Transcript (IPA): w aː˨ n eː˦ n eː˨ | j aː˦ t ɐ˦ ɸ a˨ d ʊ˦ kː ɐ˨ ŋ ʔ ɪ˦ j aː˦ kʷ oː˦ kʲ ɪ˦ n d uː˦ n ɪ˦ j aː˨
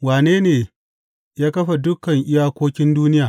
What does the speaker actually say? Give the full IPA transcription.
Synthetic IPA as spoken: w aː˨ n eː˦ n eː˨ | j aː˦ k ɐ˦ ɸ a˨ d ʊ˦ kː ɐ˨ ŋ ʔ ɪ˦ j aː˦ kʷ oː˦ kʲ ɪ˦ n d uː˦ n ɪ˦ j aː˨